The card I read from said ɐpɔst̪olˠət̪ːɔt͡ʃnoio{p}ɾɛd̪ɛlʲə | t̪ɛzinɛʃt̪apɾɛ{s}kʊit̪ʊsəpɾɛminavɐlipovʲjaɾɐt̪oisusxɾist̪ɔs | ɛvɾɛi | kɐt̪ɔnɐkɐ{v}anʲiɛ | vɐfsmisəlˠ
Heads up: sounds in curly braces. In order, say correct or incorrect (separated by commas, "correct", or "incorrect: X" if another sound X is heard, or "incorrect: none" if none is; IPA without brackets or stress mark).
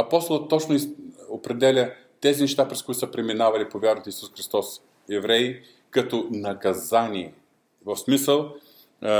correct, correct, incorrect: z